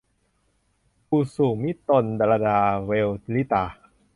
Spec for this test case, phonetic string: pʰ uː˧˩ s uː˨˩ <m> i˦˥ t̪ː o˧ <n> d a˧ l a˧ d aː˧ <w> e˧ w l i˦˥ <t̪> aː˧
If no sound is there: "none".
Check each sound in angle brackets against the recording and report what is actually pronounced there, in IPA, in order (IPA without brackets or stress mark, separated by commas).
m, n, w, t̪